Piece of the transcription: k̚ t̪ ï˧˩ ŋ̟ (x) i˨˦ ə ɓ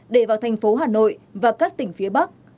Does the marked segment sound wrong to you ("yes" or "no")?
yes